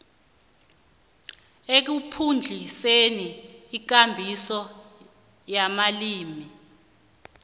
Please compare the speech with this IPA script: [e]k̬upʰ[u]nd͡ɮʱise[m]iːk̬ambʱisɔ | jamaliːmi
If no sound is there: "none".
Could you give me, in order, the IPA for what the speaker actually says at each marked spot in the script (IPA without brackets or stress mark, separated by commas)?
e, u, n